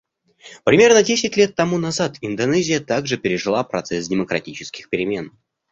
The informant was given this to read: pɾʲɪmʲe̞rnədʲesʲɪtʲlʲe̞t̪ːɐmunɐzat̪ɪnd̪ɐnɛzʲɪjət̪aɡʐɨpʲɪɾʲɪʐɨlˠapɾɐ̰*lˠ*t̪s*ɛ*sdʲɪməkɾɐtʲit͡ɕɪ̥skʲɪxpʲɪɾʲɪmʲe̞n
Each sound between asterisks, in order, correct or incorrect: incorrect: none, correct

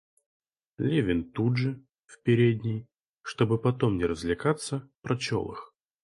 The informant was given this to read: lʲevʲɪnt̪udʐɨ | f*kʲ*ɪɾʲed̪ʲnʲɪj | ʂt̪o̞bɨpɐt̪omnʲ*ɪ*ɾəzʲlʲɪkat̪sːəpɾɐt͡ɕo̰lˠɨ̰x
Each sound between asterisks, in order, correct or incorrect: incorrect: pʲ, correct

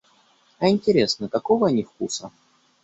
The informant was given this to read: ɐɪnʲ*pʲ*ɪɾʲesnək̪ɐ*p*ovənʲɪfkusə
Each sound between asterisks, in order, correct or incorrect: incorrect: tʲ, incorrect: k

